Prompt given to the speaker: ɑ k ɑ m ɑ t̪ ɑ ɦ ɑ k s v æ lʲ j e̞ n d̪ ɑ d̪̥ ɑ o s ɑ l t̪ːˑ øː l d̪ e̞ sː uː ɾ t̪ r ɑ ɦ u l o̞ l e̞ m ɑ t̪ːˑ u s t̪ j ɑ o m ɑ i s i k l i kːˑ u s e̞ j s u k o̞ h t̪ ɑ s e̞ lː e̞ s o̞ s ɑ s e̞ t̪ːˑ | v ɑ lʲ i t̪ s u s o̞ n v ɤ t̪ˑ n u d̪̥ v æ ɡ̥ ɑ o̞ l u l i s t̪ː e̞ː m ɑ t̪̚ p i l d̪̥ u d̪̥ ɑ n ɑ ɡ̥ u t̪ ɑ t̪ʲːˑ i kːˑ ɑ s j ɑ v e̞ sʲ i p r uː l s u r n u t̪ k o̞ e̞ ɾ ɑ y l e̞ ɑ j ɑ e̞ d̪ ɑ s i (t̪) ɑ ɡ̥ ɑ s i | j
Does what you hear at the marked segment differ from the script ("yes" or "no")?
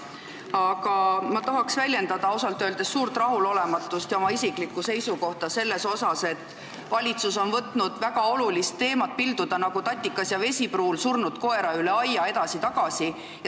no